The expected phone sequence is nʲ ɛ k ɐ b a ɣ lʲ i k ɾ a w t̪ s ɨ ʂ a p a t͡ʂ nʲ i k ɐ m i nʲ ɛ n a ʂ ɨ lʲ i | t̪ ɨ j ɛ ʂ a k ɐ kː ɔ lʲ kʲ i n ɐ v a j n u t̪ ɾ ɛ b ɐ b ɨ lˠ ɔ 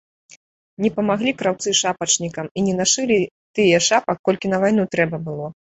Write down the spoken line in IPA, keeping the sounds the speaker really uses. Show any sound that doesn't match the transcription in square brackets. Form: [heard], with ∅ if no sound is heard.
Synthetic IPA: nʲ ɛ [p] ɐ [m] a ɣ lʲ i k ɾ a w t̪ s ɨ ʂ a p [ɐ] t͡ʂ nʲ i k ɐ m i nʲ ɛ n a ʂ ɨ lʲ i | t̪ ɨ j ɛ ʂ a [p] ɐ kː ɔ lʲ kʲ i n ɐ v a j n u t̪ ɾ ɛ b ɐ b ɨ lˠ ɔ